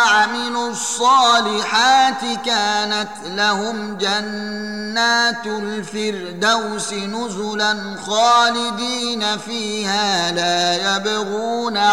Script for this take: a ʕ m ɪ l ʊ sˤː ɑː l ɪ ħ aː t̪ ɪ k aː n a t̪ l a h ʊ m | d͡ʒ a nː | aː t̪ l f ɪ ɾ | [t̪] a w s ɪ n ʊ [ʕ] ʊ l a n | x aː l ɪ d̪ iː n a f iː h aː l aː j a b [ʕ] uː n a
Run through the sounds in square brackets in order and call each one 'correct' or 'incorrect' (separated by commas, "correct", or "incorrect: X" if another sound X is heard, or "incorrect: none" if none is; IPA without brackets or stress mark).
incorrect: d̪, incorrect: z, incorrect: ɣ